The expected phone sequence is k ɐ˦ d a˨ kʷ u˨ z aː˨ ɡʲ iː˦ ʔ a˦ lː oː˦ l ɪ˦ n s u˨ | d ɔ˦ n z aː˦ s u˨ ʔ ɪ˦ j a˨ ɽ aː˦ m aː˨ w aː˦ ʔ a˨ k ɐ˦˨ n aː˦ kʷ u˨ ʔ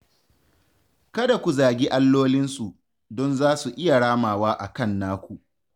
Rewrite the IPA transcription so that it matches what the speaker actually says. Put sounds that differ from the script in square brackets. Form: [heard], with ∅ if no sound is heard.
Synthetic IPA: k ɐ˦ d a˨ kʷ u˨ z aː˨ ɡʲ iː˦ ʔ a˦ lː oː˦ l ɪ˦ n s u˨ | d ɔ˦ n z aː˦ s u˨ ʔ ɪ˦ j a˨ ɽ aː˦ m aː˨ w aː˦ ʔ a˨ k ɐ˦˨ [nː] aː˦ kʷ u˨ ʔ